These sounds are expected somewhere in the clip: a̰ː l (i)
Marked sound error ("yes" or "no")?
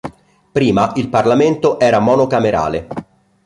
yes